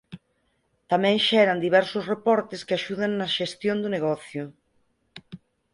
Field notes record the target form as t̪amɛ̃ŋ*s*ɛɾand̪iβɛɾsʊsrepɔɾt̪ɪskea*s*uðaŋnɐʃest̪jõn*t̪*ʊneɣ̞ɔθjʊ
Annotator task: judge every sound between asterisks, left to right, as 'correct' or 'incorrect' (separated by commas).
incorrect, incorrect, incorrect